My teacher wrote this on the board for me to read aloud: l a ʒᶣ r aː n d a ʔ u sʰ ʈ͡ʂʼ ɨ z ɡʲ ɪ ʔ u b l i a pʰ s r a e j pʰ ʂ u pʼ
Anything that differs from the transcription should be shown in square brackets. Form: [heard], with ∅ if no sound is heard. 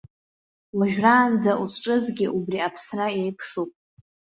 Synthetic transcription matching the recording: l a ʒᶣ r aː n [d͡z] a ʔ u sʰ ʈ͡ʂʼ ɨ z ɡʲ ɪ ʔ u b [r] i a pʰ s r a e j pʰ ʂ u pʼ